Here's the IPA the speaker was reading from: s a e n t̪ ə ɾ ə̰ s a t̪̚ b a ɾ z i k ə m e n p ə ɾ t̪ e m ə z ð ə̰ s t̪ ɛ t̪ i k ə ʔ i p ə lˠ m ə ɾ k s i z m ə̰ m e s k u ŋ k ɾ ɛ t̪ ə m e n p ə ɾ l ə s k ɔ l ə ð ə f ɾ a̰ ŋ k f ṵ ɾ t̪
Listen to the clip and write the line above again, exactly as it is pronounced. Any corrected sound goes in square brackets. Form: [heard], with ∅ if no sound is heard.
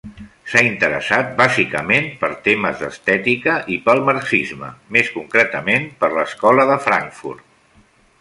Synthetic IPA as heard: s a [i] n t̪ ə ɾ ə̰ s a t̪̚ b a [∅] z i k ə m e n p ə ɾ t̪ e m ə z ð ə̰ s t̪ ɛ t̪ i k ə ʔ i p ə lˠ m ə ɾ k s i z m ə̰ m e s k u ŋ k ɾ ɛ t̪ ə m e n p ə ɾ l ə s k ɔ l ə ð ə f ɾ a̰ ŋ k f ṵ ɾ t̪